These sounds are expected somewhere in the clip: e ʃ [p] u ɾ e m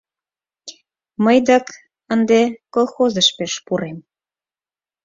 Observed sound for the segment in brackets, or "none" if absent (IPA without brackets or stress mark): p